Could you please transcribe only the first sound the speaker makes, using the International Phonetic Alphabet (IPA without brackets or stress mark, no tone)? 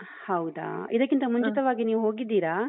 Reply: h